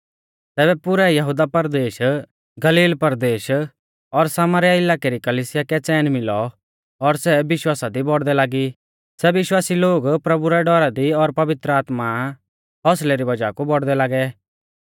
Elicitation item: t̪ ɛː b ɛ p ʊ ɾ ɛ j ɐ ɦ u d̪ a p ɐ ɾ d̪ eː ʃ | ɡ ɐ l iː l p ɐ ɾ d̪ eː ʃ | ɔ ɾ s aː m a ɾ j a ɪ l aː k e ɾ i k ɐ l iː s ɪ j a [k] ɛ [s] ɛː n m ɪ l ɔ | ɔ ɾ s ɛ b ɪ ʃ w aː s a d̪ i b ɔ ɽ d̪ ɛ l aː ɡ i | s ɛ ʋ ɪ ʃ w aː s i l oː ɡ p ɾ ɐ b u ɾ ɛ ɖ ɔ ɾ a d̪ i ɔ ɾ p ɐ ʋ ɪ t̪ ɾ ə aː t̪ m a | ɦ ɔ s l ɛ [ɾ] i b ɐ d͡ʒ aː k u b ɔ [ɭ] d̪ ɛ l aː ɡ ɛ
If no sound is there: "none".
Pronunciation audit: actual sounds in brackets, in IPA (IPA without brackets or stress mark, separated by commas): k, t͡s, ɾ, ɽ